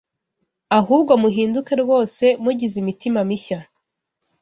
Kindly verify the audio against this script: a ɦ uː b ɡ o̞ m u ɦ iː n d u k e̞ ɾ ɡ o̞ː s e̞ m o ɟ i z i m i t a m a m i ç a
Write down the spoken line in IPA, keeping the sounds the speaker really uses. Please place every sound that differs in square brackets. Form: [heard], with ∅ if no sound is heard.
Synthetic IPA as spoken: a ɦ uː b ɡ o̞ m u ɦ iː n d u k e̞ ɾ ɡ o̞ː s e̞ m [u] ɟ i z i m i t [i] m a m i ç a